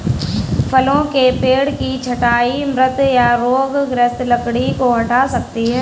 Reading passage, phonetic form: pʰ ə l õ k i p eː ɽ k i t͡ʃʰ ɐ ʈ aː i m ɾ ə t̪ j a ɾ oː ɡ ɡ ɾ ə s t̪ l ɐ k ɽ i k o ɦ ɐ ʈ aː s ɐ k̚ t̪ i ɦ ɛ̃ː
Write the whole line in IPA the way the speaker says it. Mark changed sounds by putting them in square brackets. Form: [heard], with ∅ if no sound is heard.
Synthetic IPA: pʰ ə l õ k [e] p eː ɽ k i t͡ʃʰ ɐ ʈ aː i m ɾ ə t̪ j a ɾ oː ɡ ɡ ɾ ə s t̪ l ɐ k ɽ i k o ɦ ɐ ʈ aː s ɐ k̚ t̪ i ɦ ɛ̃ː

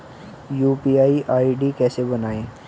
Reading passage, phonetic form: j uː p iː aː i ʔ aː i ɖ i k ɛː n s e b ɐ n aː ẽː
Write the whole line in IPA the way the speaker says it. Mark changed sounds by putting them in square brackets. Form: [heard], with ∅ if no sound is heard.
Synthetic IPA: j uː p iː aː i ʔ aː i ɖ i k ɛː [∅] s e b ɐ n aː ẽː

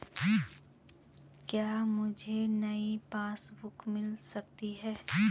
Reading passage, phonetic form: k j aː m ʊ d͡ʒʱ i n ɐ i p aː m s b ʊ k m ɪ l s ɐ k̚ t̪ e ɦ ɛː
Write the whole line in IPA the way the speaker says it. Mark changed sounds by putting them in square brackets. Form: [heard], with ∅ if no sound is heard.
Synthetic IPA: k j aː m ʊ d͡ʒʱ [e] n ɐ i p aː [∅] s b ʊ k m ɪ l s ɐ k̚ t̪ [i] ɦ ɛː

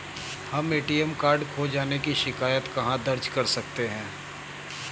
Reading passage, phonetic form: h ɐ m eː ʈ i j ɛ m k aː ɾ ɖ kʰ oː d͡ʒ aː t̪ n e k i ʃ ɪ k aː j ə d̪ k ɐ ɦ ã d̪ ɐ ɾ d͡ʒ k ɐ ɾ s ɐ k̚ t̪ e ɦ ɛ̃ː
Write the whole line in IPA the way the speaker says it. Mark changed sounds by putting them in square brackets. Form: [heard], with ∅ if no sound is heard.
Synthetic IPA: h ɐ m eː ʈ i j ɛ m k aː ɾ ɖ kʰ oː d͡ʒ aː [∅] n e k i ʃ ɪ k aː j ə [t̪] k ɐ ɦ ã d̪ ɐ ɾ d͡ʒ k ɐ ɾ s ɐ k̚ t̪ e ɦ ɛ̃ː

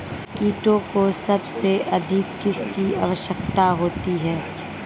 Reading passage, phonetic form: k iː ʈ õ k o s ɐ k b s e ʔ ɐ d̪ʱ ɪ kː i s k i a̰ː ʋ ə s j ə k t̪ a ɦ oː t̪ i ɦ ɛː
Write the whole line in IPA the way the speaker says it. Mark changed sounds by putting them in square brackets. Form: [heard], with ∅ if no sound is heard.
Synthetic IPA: k iː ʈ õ k o s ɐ [∅] b s e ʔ ɐ d̪ʱ ɪ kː [ɪ] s k i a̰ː ʋ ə [ʃ] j ə k t̪ a ɦ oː t̪ i ɦ ɛː

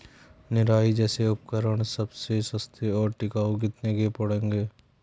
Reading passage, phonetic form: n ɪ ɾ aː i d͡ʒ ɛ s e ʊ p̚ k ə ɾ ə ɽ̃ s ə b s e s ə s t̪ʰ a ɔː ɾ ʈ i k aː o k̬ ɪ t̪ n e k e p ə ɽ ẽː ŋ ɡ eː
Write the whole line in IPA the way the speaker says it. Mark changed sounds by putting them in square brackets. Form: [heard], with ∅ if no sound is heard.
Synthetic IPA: n ɪ ɾ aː i d͡ʒ [ɛː] s e ʊ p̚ k ə ɾ ə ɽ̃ s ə b s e s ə s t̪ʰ [e] ɔː ɾ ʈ [ɪ] k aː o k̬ ɪ t̪ n e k e p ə ɽ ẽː ŋ ɡ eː

